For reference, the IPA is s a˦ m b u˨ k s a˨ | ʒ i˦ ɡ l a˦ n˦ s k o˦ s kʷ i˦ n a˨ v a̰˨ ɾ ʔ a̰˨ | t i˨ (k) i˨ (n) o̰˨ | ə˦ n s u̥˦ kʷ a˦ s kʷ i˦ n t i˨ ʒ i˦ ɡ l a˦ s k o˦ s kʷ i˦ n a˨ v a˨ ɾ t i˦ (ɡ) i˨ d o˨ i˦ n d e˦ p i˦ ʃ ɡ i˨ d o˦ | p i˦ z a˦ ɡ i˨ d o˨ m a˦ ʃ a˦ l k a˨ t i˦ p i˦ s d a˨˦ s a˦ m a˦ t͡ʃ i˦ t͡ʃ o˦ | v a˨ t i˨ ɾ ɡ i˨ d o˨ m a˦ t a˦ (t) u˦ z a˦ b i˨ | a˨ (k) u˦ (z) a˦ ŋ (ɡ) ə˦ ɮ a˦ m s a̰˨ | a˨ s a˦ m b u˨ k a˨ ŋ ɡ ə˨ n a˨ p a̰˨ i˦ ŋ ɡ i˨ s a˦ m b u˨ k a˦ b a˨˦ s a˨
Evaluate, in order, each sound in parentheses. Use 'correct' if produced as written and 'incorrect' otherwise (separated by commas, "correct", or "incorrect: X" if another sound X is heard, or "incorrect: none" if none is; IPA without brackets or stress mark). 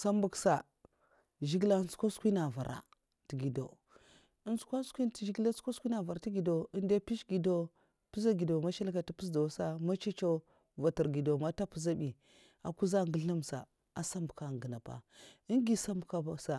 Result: incorrect: ɡ, incorrect: d, correct, incorrect: p, correct, correct, correct